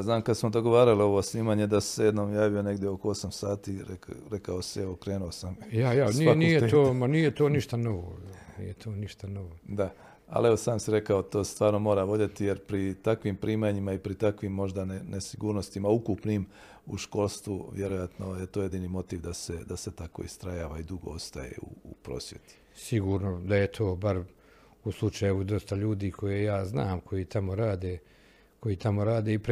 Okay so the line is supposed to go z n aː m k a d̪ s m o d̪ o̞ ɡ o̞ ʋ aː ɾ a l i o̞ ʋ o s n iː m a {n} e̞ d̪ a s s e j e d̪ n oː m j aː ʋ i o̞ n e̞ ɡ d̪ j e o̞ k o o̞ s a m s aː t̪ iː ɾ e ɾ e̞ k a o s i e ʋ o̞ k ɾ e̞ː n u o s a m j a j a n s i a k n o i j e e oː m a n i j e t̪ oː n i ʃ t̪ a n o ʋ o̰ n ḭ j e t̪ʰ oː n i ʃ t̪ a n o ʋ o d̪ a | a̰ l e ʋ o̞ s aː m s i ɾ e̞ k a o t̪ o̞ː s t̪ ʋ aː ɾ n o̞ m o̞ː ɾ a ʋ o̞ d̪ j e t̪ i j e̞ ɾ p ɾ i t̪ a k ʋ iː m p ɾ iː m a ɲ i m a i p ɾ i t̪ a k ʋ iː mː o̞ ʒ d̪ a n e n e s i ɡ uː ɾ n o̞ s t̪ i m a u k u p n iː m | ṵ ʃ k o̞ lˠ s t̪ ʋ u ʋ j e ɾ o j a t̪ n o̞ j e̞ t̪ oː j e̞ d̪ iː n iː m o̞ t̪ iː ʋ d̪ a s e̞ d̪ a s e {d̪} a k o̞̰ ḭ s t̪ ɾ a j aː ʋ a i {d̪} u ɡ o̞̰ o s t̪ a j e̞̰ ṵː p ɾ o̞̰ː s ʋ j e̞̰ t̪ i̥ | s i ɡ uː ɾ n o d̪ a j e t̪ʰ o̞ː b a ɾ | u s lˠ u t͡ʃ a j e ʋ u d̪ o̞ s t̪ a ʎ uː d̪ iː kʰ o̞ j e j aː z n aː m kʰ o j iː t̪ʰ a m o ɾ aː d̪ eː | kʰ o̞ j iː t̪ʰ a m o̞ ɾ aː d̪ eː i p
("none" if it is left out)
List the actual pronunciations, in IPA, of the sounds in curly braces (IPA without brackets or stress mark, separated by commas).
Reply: ɲ, t̪, d̪